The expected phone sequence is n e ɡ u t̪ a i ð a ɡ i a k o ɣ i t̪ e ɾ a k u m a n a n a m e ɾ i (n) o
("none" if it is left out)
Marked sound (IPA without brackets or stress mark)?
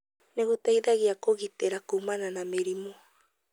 m